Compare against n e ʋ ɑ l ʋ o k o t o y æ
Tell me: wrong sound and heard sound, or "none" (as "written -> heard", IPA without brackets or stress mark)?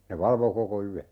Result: t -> k